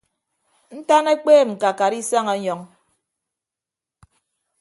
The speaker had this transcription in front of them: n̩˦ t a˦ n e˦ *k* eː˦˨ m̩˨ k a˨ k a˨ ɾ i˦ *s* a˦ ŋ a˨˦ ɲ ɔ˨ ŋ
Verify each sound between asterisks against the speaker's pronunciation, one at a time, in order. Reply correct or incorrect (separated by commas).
incorrect, correct